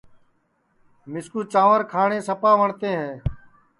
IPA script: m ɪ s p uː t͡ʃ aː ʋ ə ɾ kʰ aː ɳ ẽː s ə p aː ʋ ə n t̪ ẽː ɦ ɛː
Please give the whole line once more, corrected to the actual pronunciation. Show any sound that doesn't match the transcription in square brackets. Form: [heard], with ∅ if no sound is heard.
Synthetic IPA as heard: m ɪ s [k] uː t͡ʃ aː ʋ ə ɾ kʰ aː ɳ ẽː s ə p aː ʋ ə [ɳ] t̪ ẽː ɦ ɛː